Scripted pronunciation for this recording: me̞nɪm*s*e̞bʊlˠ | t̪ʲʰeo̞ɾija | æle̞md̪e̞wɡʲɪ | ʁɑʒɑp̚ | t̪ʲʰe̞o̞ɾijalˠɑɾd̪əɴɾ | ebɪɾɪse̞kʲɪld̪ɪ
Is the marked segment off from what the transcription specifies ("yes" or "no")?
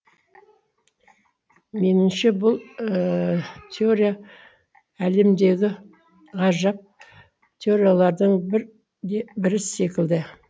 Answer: yes